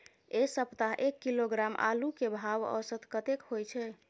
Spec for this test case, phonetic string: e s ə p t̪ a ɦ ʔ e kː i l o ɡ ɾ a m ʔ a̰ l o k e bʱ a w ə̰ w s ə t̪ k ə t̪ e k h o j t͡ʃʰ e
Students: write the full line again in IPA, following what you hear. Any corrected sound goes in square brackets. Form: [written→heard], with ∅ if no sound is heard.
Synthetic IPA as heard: e s ə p t̪ a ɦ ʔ e kː i l o ɡ ɾ a m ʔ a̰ l [o→u] k e bʱ a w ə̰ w s ə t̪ k ə t̪ e k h o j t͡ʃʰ [e→ɛ]